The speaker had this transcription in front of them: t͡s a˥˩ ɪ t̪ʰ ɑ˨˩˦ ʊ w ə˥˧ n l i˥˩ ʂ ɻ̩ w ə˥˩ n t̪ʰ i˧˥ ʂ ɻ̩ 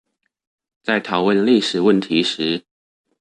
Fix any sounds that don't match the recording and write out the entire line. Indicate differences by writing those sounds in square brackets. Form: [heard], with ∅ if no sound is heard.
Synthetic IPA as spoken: t͡s a˥˩ ɪ t̪ʰ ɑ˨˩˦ ʊ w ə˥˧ n l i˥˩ ʂ ɻ̩ w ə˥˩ n t̪ʰ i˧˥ ʂ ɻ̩